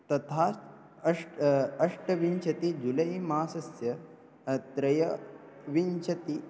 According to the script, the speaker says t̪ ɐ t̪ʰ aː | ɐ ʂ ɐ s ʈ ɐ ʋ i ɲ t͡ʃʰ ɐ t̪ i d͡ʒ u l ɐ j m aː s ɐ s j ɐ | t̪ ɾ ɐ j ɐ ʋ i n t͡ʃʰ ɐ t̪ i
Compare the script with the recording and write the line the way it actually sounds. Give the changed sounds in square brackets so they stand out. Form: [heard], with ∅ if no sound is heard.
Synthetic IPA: t̪ ɐ t̪ʰ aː | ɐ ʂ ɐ [ʂ] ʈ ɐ ʋ i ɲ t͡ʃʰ ɐ t̪ i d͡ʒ u l ɐ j m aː s ɐ s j ɐ | t̪ ɾ ɐ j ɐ ʋ i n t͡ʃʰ ɐ t̪ i